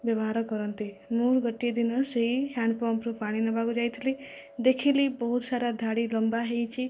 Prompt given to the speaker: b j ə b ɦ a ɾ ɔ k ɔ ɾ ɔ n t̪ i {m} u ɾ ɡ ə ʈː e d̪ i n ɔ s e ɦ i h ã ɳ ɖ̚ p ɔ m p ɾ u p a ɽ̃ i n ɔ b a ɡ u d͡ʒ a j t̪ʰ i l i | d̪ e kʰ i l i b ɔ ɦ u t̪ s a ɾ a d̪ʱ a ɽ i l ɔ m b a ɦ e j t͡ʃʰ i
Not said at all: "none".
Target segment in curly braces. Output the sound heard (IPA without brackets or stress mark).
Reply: m